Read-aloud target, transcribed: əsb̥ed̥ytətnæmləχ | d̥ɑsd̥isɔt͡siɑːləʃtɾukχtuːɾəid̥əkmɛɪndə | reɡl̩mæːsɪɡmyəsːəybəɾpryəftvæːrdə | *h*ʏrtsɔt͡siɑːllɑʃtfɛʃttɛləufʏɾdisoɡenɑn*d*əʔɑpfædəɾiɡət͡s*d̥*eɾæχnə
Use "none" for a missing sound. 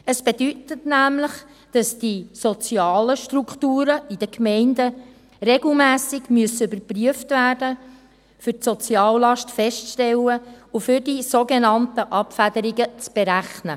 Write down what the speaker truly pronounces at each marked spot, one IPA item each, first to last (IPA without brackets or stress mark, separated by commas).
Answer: f, t, b̥